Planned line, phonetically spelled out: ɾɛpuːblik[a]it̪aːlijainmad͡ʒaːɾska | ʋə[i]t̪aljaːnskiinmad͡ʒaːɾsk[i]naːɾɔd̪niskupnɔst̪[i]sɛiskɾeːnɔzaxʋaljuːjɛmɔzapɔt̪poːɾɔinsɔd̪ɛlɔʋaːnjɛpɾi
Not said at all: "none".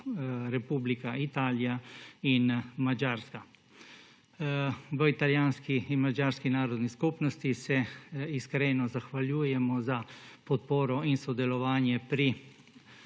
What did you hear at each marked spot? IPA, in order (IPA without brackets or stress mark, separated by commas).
a, i, i, i